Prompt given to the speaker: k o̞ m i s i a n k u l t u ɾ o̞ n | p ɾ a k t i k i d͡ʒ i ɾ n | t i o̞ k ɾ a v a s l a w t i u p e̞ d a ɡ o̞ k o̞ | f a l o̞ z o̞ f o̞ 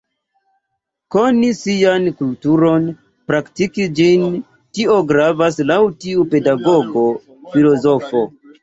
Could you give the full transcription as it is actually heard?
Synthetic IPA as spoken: k o̞ n i s i a n k u l t u ɾ o̞ n | p ɾ a k t i k i d͡ʒ i n | t i o̞ ɡ ɾ a v a s l a w t i u p e̞ d a ɡ o̞ ɡ o̞ | f i l o̞ z o̞ f o̞